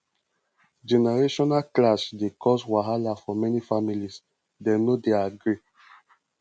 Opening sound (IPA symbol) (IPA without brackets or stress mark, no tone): d͡ʒ